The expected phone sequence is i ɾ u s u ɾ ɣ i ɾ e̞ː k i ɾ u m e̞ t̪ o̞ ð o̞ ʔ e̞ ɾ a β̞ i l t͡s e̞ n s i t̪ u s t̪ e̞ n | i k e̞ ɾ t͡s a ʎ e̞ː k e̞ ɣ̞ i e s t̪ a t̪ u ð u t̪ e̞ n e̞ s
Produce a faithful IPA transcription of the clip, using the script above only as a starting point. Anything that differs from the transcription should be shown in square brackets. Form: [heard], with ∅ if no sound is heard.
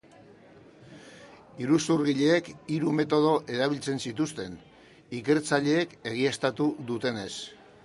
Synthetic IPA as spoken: i ɾ u s u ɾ ɣ i [ʎ] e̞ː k i ɾ u m e̞ t̪ o̞ ð o̞ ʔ e̞ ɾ a β̞ i l t͡s e̞ n s i t̪ u s t̪ e̞ n | i k e̞ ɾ t͡s a ʎ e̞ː k e̞ ɣ̞ i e s t̪ a t̪ u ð u t̪ e̞ n e̞ s